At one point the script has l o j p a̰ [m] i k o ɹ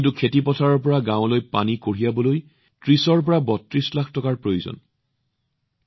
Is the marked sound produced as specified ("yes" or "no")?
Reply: no